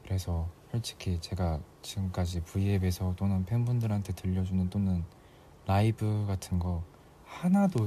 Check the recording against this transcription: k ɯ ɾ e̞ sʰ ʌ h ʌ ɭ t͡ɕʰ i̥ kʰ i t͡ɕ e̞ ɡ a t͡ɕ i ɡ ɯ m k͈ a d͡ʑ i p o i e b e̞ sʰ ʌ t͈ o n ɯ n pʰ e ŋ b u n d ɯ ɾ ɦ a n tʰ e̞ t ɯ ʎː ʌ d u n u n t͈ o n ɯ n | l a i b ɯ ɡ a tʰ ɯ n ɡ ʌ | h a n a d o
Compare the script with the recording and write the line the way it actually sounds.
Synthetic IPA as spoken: k ɯ ɾ e̞ sʰ ʌ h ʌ ɭ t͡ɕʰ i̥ kʰ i t͡ɕ e̞ ɡ a t͡ɕ i ɡ ɯ m k͈ a d͡ʑ i p u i e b e̞ sʰ ʌ t͈ o n ɯ n pʰ e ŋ b u n d ɯ ɾ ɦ a n tʰ e̞ t ɯ ʎː ʌ d͡ʑ u n ɯ n t͈ o n ɯ n | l a i b ɯ ɡ a tʰ ɯ n ɡ ʌ | h a n a d o